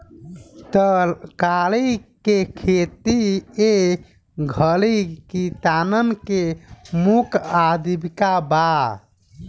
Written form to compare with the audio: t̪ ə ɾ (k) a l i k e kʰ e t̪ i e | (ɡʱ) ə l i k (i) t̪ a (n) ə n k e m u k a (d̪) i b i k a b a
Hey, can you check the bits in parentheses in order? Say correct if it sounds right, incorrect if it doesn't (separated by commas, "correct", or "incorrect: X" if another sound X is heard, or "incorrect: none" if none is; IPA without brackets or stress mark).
correct, correct, correct, correct, correct